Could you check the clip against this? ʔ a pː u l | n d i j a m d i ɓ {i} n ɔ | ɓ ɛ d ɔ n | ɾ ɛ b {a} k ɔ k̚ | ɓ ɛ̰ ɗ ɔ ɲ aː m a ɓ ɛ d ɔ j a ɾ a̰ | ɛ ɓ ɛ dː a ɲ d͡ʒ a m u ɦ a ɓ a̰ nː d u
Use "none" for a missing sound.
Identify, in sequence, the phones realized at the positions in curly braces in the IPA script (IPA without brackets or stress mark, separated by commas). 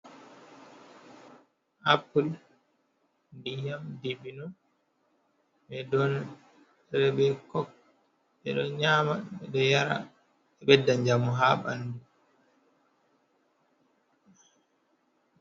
i, ɛ